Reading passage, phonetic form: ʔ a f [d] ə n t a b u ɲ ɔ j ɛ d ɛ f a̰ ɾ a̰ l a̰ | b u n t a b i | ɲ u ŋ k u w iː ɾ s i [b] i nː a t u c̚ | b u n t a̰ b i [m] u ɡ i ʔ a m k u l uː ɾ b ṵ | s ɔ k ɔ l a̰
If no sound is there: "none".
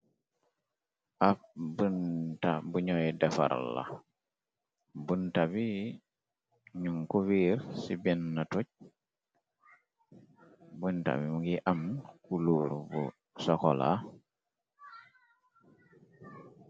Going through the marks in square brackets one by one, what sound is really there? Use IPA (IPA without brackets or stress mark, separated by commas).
b, b, m